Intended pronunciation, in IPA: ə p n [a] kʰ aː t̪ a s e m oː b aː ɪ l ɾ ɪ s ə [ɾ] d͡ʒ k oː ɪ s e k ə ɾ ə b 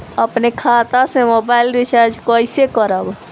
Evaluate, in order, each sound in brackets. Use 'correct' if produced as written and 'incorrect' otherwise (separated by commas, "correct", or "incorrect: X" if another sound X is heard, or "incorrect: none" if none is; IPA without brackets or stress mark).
incorrect: e, correct